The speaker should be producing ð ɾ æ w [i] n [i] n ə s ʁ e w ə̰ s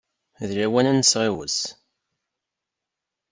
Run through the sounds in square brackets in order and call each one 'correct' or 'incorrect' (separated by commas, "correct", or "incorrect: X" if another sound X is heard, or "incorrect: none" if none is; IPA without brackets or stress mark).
incorrect: æ, incorrect: æ